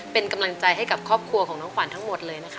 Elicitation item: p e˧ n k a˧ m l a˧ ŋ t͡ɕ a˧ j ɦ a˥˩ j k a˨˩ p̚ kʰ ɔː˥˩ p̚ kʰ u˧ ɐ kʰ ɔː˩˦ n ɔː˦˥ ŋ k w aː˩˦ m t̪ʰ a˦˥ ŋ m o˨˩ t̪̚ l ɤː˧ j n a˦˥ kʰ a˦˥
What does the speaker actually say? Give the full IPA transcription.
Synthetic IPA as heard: p e˧ n k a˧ m l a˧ ŋ t͡ɕ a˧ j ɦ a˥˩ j k a˨˩ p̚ kʰ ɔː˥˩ p̚ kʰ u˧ ɐ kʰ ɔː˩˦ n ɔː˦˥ ŋ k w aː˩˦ n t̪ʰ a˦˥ ŋ m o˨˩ t̪̚ l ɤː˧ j n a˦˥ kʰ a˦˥

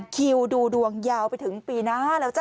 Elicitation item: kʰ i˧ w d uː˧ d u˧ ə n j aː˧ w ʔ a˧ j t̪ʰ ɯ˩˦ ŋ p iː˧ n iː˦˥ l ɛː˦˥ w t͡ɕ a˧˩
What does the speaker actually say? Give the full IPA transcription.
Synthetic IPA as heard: kʰ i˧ w d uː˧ d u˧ ə ŋ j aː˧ w p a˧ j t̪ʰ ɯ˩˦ ŋ p iː˧ n aː˦˥ l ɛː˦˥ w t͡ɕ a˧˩

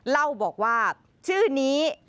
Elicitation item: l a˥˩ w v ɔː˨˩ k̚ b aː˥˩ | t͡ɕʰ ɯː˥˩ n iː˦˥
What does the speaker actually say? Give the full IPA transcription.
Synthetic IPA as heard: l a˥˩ w b ɔː˨˩ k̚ w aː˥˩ | t͡ɕʰ ɯː˥˩ n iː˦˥

